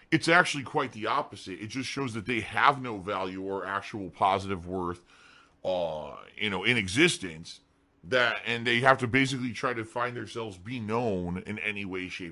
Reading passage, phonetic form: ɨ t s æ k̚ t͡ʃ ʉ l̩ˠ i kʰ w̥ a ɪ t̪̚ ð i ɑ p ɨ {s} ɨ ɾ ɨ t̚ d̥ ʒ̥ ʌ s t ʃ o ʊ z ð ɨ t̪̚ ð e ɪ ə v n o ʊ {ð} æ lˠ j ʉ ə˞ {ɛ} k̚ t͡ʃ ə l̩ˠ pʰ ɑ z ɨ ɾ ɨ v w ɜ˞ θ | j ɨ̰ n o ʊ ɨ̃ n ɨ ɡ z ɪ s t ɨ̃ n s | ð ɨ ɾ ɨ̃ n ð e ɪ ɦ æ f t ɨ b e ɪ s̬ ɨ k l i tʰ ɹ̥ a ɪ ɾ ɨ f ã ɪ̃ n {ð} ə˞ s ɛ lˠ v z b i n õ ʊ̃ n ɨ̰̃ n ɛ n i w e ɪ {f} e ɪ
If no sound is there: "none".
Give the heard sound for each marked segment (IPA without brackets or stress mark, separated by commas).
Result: z, v, æ, ð, ʃ